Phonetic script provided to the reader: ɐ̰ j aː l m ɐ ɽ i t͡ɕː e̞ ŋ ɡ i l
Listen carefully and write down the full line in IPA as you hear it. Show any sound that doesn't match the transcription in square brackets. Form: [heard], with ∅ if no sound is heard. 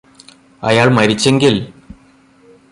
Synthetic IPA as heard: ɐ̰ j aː [ɭ] m ɐ [ɾ] i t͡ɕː e̞ ŋ ɡ i l